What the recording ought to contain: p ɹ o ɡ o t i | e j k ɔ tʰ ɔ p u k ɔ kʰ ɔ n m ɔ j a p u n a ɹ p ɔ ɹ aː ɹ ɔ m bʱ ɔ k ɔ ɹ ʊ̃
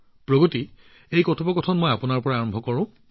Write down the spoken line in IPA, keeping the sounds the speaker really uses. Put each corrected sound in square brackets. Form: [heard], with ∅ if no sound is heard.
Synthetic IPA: p ɹ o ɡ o t i | e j k ɔ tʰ ɔ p [ɔ] k ɔ [tʰ] ɔ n m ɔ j a p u n a ɹ p ɔ ɹ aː ɹ ɔ m bʱ ɔ k ɔ ɹ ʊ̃